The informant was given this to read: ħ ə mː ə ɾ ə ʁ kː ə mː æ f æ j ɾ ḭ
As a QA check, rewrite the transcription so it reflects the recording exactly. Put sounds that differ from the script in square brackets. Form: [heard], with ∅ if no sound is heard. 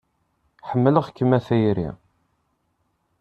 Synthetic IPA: ħ ə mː ə [l] ə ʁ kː ə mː æ [θ] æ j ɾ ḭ